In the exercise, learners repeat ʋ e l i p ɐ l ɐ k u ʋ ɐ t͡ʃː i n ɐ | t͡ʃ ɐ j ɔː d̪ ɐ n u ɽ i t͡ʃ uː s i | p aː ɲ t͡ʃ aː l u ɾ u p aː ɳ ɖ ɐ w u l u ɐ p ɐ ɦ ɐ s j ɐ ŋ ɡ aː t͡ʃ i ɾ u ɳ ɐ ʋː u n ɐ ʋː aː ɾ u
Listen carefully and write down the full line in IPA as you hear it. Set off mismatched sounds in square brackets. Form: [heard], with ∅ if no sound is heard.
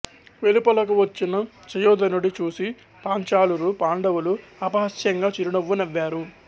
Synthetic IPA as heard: ʋ e l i p ɐ l ɐ k u ʋ ɐ t͡ʃː i n ɐ | t͡ʃ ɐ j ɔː d̪ ɐ n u ɽ i t͡ʃ uː s i | p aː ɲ t͡ʃ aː l u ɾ u p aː ɳ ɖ ɐ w u l u ɐ p ɐ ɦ ɐ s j ɐ ŋ ɡ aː t͡ʃ i ɾ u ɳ ɐ ʋː u n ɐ ʋː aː ɾ u